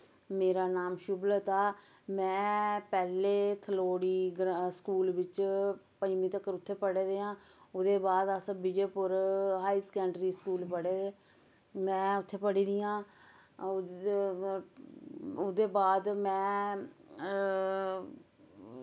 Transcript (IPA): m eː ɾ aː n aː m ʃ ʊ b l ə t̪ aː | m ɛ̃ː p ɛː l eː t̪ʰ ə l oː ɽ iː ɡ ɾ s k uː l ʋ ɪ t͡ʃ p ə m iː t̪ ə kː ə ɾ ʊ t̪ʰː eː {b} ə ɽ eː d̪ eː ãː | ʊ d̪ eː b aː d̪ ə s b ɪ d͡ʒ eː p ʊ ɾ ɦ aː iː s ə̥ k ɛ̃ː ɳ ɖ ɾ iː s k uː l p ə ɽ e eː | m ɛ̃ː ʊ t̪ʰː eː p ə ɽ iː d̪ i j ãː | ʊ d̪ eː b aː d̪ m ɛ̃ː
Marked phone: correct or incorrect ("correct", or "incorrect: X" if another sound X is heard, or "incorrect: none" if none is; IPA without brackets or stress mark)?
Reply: incorrect: p